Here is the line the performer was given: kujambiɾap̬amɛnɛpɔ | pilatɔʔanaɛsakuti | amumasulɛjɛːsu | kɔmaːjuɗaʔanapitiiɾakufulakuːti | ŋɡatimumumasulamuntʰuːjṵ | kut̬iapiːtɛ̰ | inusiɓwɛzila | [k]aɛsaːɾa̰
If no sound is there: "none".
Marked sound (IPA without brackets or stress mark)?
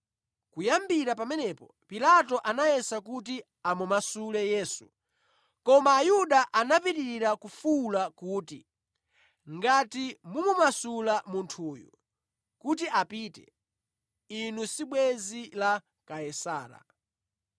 k